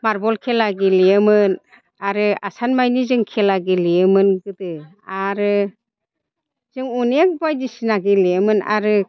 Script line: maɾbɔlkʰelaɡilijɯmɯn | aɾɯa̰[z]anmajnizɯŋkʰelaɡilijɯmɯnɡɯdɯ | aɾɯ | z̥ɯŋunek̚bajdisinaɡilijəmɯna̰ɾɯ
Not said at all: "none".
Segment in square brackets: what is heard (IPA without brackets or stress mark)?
s